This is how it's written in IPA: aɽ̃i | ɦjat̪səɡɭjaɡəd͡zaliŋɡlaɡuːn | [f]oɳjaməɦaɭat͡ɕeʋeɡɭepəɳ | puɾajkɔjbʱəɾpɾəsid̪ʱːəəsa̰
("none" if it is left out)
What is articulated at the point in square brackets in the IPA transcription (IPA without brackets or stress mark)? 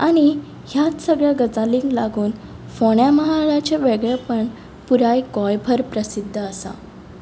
f